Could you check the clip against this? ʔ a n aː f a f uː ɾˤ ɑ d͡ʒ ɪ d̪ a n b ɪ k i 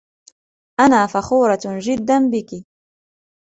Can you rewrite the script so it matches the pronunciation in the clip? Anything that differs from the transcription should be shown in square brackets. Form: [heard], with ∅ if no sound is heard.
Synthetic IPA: ʔ a n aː f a [x] uː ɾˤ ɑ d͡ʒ ɪ [d̪ː] a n b ɪ k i